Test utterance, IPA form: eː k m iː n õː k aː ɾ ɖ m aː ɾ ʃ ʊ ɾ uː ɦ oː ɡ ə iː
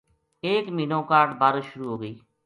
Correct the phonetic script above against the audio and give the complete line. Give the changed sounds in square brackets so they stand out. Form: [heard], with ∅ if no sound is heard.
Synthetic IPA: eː k m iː n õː k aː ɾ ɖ [b] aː ɾ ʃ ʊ ɾ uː ɦ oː ɡ ə iː